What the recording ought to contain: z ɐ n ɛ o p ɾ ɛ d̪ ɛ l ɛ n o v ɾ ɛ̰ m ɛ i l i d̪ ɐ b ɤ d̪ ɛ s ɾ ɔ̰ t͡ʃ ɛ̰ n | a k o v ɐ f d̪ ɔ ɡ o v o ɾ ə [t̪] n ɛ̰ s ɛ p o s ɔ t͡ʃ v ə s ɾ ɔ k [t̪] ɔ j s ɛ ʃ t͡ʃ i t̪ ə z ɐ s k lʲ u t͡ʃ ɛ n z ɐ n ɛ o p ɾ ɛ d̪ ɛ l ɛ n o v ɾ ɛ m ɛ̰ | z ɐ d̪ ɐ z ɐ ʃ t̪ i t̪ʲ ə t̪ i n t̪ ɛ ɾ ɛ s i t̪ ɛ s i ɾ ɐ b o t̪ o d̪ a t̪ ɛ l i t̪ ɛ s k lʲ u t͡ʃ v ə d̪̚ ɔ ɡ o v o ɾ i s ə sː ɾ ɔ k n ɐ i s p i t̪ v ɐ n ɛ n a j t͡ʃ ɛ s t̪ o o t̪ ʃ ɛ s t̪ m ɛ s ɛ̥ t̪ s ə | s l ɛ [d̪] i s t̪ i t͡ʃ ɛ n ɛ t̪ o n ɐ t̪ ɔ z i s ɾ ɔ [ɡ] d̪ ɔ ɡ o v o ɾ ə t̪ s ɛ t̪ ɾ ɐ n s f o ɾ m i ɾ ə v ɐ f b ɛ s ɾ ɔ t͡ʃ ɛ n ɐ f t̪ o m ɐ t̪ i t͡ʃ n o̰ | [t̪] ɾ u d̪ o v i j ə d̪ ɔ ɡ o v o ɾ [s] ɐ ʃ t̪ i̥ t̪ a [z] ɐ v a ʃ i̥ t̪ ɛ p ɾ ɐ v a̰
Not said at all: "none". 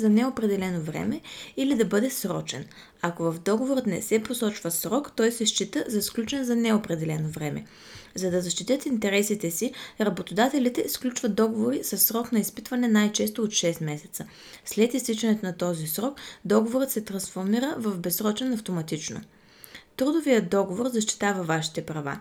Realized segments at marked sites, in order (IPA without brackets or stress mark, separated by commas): t̪, t̪, t̪, k, t̪, z, v